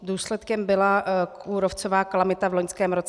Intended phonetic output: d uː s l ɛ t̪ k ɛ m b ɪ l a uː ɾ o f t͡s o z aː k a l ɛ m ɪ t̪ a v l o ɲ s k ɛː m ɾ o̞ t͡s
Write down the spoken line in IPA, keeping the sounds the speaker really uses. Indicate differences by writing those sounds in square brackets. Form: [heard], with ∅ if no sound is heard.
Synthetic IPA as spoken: d uː s l ɛ t̪ k ɛ m b ɪ l a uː ɾ o f t͡s o [v] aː k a l [a] m ɪ t̪ a v l o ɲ s k ɛː m ɾ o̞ t͡s